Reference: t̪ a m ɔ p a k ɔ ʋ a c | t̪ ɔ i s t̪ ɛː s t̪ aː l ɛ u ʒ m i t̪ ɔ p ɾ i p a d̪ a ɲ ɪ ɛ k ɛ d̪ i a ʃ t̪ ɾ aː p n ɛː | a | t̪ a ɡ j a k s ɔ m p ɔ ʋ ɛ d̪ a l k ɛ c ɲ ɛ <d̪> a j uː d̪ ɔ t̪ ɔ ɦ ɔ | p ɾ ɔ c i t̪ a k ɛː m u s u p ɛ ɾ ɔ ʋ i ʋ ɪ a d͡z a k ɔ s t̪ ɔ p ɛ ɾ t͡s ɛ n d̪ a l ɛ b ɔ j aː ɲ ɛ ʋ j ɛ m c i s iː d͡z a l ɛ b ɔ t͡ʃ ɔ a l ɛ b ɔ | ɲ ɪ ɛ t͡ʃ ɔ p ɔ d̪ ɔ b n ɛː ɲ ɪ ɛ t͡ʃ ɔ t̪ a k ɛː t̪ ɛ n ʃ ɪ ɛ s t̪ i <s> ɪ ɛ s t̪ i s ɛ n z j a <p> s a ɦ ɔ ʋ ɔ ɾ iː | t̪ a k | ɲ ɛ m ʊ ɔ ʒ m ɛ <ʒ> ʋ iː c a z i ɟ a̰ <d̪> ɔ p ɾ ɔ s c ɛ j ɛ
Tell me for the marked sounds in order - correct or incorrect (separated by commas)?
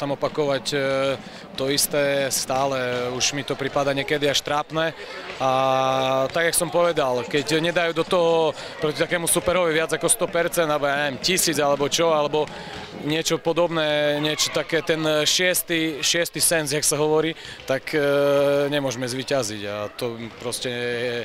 correct, incorrect, incorrect, incorrect, incorrect